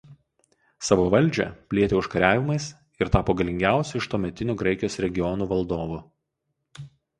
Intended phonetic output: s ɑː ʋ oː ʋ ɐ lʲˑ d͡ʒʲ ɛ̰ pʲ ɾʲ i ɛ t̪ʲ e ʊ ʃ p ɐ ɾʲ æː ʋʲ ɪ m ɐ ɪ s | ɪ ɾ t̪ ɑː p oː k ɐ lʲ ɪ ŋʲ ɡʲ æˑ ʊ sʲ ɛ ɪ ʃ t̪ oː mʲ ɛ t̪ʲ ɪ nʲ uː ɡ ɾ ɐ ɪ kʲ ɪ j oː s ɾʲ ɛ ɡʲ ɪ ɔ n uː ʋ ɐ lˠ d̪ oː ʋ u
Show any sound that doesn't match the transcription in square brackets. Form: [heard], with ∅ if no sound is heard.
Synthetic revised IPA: s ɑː ʋ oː ʋ ɐ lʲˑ d͡ʒʲ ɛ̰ pʲ [lʲ] i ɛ t̪ʲ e ʊ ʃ [k] ɐ ɾʲ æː ʋʲ ɪ m ɐ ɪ s | ɪ ɾ t̪ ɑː p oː [ɡ] ɐ lʲ ɪ ŋʲ ɡʲ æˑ ʊ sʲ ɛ ɪ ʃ t̪ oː mʲ ɛ t̪ʲ ɪ nʲ uː ɡ ɾ ɐ ɪ kʲ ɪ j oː s ɾʲ ɛ ɡʲ ɪ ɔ n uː ʋ ɐ lˠ d̪ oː ʋ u